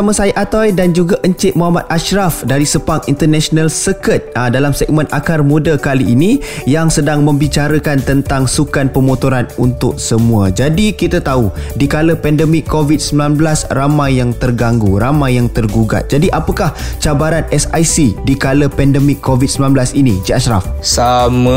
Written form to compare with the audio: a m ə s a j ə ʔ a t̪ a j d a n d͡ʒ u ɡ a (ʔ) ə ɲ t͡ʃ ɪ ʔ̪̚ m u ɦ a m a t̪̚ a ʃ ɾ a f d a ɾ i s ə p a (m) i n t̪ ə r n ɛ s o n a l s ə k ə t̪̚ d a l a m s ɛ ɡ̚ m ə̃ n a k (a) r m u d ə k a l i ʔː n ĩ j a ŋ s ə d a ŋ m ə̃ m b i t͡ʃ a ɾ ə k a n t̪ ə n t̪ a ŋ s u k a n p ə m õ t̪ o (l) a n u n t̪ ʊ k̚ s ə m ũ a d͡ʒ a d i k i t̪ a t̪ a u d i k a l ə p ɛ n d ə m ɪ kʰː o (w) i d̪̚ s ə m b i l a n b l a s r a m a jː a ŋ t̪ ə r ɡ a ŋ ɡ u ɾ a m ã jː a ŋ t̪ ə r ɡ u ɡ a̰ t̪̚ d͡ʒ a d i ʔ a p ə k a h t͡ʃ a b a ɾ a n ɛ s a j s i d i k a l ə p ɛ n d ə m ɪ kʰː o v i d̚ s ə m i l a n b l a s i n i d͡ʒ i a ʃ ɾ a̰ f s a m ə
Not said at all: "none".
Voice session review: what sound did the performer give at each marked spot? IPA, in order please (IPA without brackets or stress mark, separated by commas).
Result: ʔ, ŋ, a, ɾ, v